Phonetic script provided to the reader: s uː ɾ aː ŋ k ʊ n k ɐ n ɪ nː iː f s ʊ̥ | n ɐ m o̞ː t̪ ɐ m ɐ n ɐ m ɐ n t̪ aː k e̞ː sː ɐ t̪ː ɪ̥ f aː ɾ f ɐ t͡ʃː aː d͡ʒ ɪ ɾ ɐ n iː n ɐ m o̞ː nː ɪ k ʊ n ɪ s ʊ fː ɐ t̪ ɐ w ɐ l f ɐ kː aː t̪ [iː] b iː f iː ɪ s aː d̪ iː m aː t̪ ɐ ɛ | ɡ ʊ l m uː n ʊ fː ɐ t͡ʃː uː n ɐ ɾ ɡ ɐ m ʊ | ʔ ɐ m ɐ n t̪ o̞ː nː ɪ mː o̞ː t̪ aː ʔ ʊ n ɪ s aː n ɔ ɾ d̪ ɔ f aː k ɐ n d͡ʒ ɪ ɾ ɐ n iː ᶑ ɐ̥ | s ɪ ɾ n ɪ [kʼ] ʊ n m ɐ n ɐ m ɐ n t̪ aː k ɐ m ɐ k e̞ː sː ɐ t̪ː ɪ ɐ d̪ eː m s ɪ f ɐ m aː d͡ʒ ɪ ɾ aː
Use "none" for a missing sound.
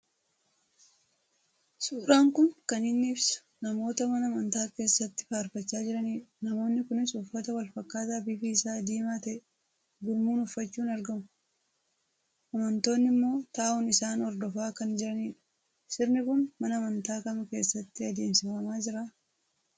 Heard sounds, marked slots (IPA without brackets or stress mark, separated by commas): aː, k